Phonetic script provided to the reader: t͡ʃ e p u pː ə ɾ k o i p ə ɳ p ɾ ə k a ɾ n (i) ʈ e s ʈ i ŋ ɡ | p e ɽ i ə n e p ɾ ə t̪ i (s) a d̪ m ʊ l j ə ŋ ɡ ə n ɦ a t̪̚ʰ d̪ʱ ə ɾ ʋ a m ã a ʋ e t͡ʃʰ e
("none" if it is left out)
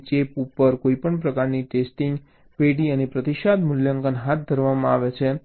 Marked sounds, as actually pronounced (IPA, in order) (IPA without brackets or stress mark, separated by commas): i, ʃ